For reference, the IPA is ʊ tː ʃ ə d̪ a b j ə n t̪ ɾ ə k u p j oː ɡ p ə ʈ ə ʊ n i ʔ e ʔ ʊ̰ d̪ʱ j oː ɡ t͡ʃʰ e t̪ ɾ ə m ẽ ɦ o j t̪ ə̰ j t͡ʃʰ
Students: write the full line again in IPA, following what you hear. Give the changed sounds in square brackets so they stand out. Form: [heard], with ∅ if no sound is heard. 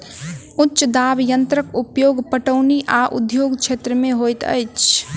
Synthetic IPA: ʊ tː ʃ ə d̪ a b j ə n t̪ ɾ ə k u p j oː ɡ p ə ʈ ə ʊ n i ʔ [a] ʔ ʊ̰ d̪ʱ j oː ɡ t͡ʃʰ e t̪ ɾ ə m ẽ ɦ o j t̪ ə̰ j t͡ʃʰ